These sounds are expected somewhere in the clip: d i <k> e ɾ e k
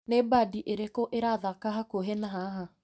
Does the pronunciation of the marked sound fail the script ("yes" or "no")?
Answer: yes